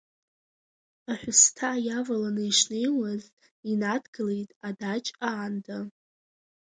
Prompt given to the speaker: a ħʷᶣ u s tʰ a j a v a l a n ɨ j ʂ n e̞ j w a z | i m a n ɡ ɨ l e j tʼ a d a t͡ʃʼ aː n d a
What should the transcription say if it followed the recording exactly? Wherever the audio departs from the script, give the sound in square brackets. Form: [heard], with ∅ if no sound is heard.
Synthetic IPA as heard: a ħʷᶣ [ʊ] s tʰ a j a v a l a n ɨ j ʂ n e̞ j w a z | i [n] a [d] ɡ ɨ l e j tʼ a d a t͡ʃʼ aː n d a